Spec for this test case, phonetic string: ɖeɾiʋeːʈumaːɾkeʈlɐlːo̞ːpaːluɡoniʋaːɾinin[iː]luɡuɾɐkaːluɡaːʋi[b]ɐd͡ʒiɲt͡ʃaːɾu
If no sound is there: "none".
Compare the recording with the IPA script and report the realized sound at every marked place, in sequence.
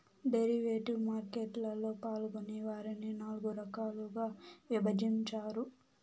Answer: aː, b

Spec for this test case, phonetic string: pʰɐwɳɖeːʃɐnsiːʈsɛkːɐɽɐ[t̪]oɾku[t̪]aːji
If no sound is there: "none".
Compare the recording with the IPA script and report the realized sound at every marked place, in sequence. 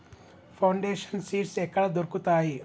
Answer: d̪, t̪

